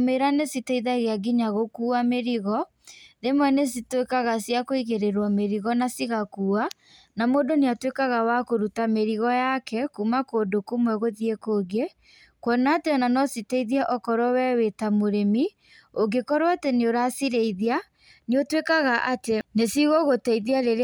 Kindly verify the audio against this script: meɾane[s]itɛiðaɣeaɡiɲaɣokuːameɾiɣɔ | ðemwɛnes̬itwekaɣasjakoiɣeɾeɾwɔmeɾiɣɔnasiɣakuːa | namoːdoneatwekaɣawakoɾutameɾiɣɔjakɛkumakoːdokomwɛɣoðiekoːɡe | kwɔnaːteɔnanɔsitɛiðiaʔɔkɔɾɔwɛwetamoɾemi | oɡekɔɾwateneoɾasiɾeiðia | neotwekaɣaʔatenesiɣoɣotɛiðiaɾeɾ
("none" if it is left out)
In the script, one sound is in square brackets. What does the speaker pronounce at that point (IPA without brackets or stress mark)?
s